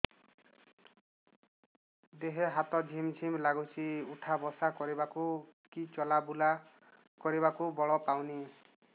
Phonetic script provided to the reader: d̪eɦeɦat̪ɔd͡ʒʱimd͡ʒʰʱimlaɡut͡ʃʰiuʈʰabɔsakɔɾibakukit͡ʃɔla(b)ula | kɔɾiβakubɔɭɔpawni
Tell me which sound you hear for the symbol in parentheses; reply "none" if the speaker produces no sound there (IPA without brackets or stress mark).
b